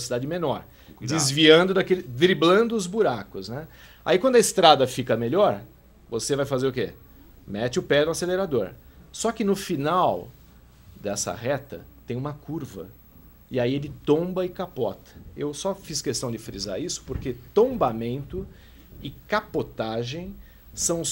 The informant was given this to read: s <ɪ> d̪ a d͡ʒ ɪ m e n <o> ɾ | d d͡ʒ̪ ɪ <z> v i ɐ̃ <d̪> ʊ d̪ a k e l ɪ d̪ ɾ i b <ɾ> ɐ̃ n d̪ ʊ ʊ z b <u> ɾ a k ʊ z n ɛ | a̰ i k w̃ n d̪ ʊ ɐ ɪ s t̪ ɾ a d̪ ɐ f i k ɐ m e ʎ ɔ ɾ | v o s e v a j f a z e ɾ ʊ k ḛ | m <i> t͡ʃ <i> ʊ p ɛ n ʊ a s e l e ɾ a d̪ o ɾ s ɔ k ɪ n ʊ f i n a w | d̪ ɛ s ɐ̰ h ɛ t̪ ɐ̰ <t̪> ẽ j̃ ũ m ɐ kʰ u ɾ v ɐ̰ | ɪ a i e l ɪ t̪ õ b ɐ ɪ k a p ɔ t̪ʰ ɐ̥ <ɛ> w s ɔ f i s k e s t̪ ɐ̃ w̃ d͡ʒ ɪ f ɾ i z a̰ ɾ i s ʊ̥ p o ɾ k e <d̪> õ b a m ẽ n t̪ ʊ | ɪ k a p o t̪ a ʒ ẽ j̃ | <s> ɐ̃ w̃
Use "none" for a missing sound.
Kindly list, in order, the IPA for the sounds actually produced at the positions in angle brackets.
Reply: i, ɔ, z, d̪, l, u, ɛ, ɪ, t̪, e, t̪, s

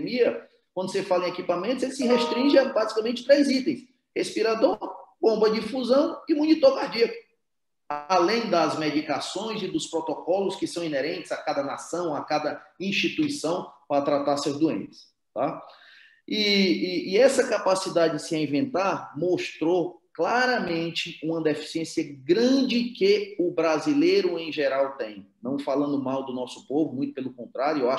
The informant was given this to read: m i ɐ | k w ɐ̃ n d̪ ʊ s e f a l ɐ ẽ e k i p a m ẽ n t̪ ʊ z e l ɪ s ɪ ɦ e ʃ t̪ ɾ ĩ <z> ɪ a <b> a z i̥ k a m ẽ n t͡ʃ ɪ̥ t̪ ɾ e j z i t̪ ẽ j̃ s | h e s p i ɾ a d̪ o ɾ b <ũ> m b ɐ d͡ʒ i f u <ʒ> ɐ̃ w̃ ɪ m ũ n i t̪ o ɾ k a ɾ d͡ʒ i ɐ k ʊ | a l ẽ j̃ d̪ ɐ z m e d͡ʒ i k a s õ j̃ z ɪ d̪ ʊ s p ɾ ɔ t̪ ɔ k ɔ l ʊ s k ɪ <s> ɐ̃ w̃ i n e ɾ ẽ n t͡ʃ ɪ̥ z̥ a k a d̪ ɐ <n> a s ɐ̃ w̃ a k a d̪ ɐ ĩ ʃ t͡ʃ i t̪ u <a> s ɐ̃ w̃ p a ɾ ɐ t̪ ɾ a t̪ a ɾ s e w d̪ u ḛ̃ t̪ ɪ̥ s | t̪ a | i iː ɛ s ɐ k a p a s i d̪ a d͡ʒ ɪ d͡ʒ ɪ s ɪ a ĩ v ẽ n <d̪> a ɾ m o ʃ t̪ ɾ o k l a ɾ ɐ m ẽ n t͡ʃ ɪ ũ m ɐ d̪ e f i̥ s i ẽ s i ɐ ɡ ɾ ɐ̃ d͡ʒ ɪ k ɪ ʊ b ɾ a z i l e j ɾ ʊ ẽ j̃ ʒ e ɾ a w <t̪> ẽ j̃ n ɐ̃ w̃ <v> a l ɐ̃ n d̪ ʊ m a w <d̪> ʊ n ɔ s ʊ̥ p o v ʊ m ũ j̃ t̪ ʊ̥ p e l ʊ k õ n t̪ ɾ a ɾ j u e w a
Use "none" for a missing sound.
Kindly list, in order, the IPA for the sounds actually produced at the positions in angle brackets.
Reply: ʒ, b, õ, z, s, n, i, t̪, t̪, f, d̪

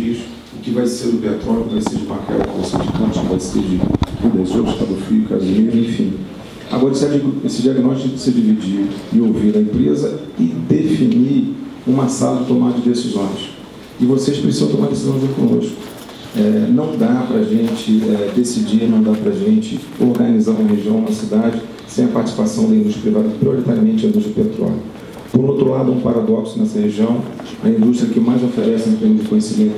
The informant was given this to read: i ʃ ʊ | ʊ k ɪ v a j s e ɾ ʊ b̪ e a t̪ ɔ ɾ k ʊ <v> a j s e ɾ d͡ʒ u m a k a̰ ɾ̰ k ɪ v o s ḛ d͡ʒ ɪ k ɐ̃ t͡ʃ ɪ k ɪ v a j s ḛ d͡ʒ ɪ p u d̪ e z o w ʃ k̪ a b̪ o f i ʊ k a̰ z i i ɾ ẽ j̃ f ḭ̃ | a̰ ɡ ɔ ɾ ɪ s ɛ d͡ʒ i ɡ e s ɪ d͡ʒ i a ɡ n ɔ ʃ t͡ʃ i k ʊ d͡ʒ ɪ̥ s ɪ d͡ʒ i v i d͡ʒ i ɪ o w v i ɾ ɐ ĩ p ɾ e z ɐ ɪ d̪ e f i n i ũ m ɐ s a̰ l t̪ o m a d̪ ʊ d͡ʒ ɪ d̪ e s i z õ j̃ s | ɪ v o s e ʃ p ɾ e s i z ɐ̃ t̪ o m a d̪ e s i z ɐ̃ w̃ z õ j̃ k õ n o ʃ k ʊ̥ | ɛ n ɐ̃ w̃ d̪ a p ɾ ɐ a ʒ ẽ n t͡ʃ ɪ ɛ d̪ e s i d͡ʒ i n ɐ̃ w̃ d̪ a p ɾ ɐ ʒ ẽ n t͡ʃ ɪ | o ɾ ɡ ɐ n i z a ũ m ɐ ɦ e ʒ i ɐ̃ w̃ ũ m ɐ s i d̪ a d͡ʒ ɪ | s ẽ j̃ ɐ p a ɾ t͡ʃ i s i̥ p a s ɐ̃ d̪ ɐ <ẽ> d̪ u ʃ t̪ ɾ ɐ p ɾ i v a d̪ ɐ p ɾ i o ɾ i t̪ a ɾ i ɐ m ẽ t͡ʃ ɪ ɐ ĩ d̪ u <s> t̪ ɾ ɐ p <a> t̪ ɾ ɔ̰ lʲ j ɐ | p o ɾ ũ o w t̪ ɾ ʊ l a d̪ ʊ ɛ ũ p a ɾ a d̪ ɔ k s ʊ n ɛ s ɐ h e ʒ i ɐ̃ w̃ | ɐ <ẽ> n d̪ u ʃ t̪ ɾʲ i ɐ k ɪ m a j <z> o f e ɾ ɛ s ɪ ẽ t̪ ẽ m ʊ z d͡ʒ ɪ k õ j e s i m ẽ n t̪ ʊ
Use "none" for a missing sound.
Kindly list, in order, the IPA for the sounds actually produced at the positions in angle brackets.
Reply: v, ĩ, ʃ, e, ĩ, z

